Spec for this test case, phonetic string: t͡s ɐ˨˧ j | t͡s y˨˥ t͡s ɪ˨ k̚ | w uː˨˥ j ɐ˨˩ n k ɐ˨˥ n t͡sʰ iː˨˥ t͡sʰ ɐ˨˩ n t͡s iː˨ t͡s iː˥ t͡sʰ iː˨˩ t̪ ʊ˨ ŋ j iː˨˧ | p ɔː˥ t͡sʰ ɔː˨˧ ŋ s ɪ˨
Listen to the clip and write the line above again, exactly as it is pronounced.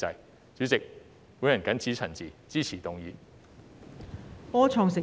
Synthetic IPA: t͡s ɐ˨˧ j | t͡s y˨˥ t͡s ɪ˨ k̚ | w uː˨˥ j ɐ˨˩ n k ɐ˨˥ n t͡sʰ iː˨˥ t͡sʰ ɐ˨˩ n t͡s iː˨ t͡s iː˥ t͡sʰ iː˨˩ t̪ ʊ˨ ŋ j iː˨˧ | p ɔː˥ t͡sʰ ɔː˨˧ ŋ s ɪ˨